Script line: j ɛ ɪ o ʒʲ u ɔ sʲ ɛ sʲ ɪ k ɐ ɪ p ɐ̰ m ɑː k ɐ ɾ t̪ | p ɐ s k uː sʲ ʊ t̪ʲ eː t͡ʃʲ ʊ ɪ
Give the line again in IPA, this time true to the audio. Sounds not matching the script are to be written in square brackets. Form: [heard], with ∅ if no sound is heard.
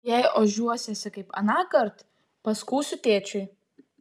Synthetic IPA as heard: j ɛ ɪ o ʒʲ u ɔ sʲ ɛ sʲ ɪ k ɐ ɪ p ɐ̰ [n] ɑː k ɐ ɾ t̪ | p ɐ s k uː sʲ ʊ t̪ʲ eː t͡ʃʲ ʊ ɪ